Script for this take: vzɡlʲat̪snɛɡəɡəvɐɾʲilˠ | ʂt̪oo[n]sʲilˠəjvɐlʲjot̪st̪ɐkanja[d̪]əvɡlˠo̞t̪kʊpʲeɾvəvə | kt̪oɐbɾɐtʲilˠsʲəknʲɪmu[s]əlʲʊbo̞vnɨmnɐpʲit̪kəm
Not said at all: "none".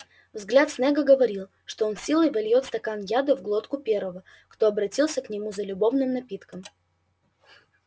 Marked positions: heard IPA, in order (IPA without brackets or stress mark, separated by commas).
n, d̪, z